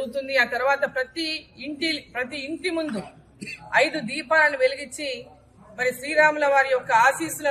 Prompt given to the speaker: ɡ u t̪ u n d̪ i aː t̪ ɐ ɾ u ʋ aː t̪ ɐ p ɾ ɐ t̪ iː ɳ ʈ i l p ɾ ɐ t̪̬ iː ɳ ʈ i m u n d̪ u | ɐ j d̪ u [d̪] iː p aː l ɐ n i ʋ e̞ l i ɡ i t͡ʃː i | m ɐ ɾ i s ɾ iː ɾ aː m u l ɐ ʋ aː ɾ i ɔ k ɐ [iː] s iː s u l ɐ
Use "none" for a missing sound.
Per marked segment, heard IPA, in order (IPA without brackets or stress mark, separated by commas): d̪, aː